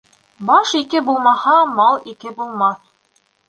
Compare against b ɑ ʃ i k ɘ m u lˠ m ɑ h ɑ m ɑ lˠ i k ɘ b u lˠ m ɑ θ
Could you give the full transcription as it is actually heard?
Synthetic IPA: b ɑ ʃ i k ɘ b u lˠ m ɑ h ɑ m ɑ lˠ i k ɘ b u lˠ m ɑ θ